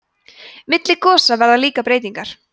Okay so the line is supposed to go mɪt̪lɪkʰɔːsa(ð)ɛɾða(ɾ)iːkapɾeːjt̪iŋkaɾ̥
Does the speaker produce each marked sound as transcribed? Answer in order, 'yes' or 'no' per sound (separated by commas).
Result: no, no